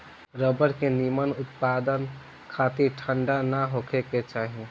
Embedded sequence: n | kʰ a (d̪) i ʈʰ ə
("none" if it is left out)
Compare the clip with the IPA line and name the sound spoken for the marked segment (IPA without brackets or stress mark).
t̪